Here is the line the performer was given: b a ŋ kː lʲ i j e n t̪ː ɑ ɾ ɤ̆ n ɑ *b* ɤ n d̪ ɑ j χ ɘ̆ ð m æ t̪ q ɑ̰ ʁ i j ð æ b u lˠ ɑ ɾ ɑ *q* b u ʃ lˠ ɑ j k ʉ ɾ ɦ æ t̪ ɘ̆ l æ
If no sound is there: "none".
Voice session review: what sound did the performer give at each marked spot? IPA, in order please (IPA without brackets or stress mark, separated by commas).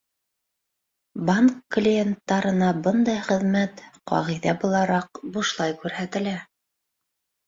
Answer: b, q